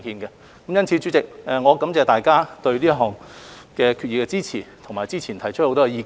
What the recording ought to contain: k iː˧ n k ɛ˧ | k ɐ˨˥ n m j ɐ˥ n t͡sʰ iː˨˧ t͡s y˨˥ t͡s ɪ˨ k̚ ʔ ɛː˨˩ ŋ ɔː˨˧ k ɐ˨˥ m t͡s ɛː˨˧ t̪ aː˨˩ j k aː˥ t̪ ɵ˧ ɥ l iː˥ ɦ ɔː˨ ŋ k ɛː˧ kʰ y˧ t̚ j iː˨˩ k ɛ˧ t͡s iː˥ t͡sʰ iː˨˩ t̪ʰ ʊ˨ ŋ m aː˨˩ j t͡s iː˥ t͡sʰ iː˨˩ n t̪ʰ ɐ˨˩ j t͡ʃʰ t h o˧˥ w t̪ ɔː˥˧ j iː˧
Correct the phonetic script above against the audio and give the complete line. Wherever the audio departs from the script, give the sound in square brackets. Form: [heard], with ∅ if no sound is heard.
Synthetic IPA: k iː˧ n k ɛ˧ | k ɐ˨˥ [∅] m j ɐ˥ n t͡sʰ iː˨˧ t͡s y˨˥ t͡s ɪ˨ k̚ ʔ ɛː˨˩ ŋ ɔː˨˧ k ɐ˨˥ m t͡s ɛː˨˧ t̪ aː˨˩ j k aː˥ t̪ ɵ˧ ɥ l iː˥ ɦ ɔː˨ ŋ k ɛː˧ kʰ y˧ t̚ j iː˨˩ k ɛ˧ t͡s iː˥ t͡sʰ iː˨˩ t̪ʰ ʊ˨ ŋ m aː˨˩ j t͡s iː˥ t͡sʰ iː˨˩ n t̪ʰ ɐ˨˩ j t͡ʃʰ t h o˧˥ w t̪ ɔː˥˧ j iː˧